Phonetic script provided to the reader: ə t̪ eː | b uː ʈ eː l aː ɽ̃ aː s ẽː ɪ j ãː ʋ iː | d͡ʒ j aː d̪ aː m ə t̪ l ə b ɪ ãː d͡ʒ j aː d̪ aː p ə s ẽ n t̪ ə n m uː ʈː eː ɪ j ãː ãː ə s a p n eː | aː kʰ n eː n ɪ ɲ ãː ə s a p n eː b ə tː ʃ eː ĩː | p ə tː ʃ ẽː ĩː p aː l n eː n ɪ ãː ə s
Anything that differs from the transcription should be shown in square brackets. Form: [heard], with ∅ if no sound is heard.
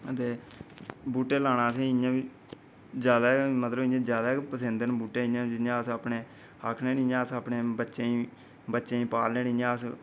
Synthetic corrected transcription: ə t̪ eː | b uː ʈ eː l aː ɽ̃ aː s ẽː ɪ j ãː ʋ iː | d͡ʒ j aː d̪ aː m ə t̪ l ə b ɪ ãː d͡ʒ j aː d̪ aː p ə s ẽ n [d̪] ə n [b] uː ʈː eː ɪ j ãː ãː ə s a p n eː | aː kʰ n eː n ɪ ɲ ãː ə s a p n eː b ə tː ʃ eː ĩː | [b] ə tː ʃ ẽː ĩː p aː l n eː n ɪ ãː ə s